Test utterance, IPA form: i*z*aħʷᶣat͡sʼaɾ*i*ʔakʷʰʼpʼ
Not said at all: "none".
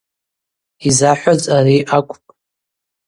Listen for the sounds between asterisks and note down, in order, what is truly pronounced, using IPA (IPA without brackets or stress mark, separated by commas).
z, i